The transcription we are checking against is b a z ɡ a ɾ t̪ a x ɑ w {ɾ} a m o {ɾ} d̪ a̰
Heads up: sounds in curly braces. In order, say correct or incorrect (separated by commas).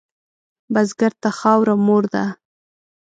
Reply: correct, correct